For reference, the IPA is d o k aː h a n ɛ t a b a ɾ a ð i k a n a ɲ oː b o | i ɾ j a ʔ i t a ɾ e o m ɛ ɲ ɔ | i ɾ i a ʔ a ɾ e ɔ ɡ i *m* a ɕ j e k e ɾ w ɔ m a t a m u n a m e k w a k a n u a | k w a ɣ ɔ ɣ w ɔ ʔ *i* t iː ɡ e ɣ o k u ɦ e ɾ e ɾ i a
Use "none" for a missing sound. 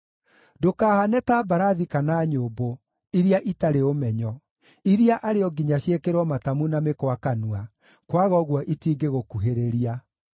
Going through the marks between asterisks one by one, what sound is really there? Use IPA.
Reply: ɲ, i

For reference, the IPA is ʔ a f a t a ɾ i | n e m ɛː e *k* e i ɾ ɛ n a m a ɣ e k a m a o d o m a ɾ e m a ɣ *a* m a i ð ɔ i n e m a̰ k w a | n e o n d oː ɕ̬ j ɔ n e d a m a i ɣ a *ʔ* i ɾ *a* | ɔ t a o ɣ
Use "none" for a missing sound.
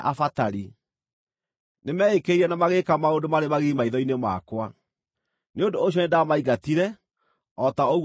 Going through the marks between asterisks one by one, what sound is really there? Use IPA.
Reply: k, i, t, ɛ

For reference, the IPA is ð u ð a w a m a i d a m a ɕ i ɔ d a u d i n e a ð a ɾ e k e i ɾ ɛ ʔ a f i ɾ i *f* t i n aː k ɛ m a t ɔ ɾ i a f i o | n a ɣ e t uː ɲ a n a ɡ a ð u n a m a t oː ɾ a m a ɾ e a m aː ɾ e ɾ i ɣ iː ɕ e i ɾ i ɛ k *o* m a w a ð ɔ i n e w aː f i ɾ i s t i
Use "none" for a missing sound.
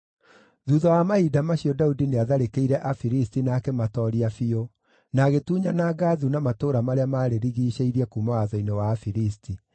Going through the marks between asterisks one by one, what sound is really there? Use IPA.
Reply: s, u

